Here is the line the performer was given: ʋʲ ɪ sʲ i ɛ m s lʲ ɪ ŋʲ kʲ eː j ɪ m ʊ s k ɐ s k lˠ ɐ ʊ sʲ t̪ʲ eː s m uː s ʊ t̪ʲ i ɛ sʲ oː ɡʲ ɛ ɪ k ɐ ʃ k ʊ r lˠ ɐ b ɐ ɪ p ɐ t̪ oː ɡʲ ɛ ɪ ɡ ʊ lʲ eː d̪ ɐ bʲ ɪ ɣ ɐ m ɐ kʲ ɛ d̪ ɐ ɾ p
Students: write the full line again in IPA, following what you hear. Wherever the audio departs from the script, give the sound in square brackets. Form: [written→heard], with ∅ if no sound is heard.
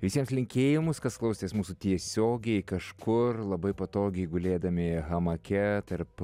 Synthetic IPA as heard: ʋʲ ɪ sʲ i ɛ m s lʲ ɪ ŋʲ kʲ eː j ɪ m ʊ s k ɐ s k lˠ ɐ ʊ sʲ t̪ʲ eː s m uː s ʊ t̪ʲ i ɛ sʲ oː ɡʲ ɛ ɪ k ɐ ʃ k ʊ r lˠ ɐ b ɐ ɪ p ɐ t̪ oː ɡʲ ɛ ɪ ɡ ʊ lʲ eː d̪ ɐ [bʲ→mʲ] ɪ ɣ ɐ m ɐ kʲ ɛ [d̪→t̪] ɐ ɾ p